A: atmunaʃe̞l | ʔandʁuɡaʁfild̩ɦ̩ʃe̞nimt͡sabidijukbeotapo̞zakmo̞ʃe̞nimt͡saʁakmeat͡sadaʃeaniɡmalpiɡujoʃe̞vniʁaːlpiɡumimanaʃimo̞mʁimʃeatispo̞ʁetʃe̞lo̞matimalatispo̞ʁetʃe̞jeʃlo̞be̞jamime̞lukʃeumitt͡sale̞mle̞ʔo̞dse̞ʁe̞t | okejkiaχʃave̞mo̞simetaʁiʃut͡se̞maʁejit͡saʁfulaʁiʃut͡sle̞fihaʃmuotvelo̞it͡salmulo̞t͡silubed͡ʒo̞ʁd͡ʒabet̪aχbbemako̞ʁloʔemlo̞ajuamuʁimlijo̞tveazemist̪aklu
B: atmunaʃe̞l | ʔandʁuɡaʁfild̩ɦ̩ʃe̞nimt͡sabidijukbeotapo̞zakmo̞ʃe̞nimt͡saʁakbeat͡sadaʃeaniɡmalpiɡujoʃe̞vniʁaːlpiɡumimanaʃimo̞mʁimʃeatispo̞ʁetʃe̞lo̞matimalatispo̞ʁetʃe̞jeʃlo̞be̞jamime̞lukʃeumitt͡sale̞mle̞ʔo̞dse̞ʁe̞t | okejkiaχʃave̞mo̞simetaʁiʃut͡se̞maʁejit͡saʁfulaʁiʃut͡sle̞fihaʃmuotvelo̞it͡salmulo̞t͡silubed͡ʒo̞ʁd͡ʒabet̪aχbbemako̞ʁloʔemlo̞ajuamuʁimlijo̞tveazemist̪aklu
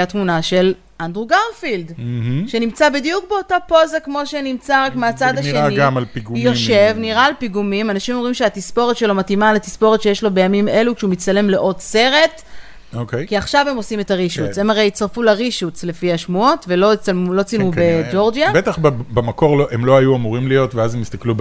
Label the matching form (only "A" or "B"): A